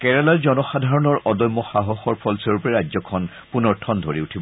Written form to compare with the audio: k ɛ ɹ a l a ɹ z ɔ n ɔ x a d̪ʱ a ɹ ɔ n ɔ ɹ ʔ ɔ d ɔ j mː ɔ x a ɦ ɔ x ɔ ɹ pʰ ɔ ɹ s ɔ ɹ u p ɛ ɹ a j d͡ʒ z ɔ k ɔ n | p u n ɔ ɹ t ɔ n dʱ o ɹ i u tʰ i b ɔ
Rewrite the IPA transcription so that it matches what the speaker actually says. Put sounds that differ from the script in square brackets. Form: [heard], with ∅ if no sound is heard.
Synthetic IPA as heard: k ɛ ɹ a l a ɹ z ɔ n ɔ x a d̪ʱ a ɹ ɔ n ɔ ɹ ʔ ɔ d ɔ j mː ɔ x a ɦ ɔ x ɔ ɹ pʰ ɔ [l] s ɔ ɹ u p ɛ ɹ a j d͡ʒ z ɔ [kʰ] ɔ n | p u n ɔ ɹ [tʰ] ɔ n dʱ o ɹ i u tʰ i b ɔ